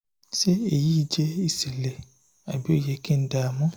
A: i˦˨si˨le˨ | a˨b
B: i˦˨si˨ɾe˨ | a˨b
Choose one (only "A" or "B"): A